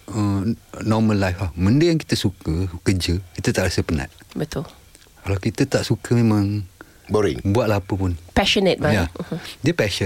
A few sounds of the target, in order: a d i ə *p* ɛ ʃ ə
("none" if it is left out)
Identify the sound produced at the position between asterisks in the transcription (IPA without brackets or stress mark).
p